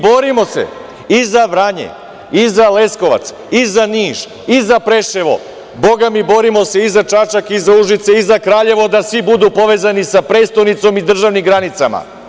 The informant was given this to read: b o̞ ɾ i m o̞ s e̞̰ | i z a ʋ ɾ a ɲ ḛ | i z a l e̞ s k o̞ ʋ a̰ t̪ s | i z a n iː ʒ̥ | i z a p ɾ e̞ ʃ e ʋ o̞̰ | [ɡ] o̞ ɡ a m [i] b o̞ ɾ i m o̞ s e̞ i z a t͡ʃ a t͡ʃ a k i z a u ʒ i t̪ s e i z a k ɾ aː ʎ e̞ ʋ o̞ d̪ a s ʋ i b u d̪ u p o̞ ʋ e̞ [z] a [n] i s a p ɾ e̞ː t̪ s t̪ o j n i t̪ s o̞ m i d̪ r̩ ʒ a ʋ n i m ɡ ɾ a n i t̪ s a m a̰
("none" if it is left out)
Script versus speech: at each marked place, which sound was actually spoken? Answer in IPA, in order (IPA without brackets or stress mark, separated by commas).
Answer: b, i, z, n